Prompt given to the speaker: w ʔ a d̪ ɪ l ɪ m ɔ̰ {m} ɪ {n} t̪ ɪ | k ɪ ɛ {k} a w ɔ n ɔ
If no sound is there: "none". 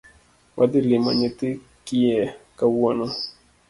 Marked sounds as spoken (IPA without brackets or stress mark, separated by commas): ɲ, none, k